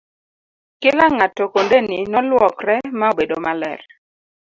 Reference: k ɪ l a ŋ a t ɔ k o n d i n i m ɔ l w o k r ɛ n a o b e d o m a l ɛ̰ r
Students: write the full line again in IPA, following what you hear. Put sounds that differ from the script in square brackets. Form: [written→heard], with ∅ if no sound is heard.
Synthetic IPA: k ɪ l a ŋ a t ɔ k o n d [i→e] n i [m→n] ɔ l w [o→ɔ] k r ɛ [n→m] a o b e d o m a l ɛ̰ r